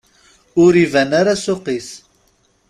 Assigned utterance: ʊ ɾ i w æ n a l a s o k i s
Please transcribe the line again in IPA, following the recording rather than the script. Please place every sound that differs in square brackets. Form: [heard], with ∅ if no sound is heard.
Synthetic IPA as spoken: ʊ ɾ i [v] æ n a [ɾ] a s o [q] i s